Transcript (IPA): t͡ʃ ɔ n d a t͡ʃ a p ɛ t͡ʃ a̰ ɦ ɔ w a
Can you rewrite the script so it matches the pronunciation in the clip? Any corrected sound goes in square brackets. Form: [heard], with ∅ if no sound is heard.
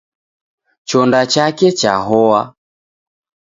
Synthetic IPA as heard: t͡ʃ ɔ n d a t͡ʃ a [k] ɛ t͡ʃ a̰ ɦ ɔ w a